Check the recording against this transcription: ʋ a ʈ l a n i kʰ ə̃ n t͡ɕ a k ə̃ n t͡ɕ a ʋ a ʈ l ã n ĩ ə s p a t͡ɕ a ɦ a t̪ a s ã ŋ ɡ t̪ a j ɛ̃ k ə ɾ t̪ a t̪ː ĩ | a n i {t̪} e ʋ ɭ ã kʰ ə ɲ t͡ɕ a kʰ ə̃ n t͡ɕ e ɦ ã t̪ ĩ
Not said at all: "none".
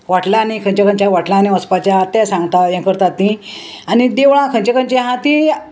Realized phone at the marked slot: d̪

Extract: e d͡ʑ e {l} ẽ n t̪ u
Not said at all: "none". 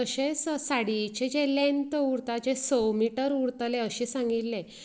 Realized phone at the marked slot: l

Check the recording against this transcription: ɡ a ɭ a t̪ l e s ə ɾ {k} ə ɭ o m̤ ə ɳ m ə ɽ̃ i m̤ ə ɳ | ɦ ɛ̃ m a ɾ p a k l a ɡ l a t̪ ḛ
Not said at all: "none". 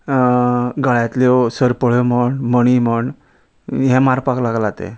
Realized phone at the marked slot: p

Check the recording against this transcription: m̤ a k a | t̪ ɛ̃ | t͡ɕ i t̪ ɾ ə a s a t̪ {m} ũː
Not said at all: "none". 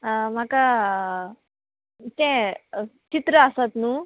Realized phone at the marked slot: n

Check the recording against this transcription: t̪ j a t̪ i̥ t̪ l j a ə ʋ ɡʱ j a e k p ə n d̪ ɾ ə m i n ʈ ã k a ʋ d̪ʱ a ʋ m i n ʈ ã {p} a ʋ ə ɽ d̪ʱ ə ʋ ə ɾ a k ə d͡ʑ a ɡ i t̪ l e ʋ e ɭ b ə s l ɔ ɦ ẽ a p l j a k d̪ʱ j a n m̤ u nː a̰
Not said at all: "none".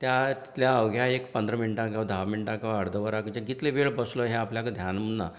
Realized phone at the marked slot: k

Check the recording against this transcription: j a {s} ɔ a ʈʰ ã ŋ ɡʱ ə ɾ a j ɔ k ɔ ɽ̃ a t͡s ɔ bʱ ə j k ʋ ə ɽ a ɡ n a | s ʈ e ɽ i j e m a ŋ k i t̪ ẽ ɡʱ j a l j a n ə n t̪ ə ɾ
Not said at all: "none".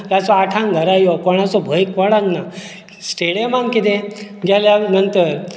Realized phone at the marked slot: t͡s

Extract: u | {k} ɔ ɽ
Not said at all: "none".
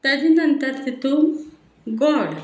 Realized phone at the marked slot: ɡ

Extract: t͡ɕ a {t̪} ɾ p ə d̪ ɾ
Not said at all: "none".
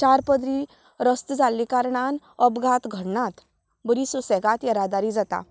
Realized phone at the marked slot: none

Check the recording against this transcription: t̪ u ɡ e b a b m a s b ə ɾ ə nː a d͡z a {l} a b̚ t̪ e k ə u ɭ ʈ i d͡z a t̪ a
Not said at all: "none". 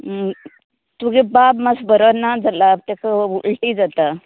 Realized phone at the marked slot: l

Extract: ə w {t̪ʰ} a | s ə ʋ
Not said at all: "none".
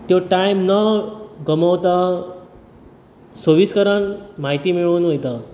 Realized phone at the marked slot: t̪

